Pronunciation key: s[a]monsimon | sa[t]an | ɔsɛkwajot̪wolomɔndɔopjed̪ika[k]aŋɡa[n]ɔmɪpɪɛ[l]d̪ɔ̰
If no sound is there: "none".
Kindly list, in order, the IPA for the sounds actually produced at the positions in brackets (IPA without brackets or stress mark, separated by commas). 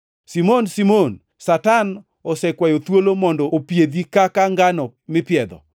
i, t, k, n, none